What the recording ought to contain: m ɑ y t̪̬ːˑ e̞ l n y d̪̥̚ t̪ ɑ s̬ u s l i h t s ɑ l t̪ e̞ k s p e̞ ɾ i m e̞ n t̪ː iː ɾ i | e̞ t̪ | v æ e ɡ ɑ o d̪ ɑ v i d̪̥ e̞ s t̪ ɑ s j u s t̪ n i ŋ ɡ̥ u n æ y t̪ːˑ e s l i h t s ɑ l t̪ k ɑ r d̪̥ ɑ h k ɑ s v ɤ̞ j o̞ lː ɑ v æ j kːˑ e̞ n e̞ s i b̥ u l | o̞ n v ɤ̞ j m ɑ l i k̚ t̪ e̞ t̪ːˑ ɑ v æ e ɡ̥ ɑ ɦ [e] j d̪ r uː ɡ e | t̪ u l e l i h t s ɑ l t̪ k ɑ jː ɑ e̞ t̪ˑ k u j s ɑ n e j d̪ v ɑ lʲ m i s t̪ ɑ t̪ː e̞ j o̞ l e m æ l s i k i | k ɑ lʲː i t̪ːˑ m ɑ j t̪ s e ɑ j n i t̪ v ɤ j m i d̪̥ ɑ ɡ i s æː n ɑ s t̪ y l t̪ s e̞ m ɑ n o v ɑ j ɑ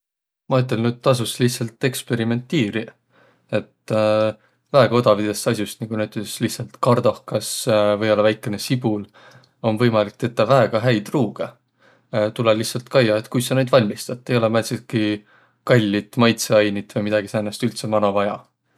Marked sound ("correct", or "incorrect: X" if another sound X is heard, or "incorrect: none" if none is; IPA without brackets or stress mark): incorrect: æ